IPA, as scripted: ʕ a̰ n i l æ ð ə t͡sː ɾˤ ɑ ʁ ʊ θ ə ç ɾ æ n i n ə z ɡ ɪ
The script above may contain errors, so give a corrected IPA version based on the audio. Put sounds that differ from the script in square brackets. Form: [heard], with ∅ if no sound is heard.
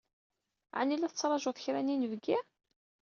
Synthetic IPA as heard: ʕ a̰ n i l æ [θ] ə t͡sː ɾˤ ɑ [ʒ] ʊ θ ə ç ɾ æ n i n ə [v] ɡ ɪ